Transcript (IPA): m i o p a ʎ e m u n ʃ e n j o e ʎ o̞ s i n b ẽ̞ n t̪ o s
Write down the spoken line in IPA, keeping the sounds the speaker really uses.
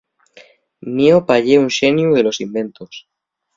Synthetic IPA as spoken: m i o p a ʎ e u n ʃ e n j u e l o̞ s i m b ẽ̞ n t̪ o s